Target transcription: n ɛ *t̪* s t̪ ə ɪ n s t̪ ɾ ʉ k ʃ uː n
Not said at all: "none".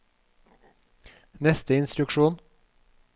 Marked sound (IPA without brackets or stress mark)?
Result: none